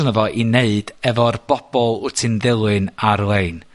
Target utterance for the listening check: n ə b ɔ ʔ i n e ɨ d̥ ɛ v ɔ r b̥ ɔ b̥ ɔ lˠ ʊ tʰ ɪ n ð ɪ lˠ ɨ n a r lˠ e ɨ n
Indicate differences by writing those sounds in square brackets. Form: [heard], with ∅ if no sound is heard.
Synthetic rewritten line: n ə [v] ɔ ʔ i n e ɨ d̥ ɛ v ɔ r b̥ ɔ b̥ ɔ lˠ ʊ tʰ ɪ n ð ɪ lˠ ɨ n a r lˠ e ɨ n